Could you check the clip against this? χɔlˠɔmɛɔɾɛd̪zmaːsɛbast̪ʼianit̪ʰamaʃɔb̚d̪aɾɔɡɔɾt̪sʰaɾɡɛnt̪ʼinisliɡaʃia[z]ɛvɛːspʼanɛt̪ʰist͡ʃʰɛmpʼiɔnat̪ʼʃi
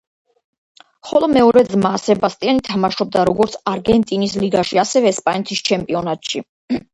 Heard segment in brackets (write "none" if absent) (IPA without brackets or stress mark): s